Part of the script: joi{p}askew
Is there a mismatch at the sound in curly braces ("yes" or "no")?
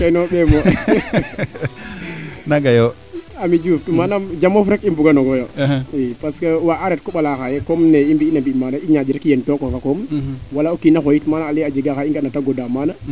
no